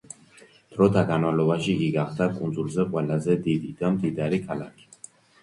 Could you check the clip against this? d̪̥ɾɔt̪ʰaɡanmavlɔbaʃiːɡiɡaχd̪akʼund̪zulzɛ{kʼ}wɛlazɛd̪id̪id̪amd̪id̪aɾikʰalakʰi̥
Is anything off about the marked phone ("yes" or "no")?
yes